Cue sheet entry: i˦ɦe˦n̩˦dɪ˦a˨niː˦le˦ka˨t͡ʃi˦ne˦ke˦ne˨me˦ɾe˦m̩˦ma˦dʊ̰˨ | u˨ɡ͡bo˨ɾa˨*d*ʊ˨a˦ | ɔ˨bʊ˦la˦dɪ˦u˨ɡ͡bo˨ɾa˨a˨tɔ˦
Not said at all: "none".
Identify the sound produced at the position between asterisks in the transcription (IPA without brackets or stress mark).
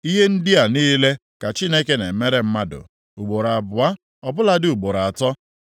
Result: b